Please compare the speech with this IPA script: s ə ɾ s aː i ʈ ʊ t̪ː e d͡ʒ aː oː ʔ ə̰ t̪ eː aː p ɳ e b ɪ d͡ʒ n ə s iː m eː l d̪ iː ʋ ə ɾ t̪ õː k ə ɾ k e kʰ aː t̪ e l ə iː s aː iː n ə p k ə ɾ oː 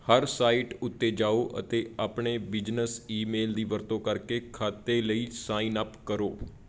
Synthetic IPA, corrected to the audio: h ə ɾ s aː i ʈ ʊ t̪ː e d͡ʒ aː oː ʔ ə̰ t̪ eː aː p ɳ e b ɪ d͡ʒ n ə s iː m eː l d̪ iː ʋ ə ɾ t̪ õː k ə ɾ k e kʰ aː t̪ e l ə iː s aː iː n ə p k ə ɾ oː